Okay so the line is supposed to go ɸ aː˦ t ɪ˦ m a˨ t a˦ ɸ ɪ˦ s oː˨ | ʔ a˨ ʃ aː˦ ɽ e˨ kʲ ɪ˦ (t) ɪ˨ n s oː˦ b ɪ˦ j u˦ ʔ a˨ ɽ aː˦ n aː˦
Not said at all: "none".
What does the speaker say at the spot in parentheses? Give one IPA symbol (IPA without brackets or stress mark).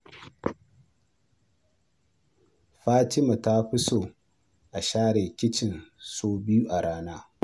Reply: t͡ʃ